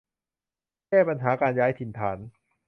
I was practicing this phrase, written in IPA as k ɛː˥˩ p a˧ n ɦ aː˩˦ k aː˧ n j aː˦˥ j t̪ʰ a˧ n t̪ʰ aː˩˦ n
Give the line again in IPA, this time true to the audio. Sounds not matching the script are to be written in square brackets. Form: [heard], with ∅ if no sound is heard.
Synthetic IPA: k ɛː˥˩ p a˧ n ɦ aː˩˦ k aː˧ n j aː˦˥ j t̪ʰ [i˧] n t̪ʰ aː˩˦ n